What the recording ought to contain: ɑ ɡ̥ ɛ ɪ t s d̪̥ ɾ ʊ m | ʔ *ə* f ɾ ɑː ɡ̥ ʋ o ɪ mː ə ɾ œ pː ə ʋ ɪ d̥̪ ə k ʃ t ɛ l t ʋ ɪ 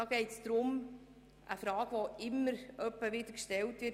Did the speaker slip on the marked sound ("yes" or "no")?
no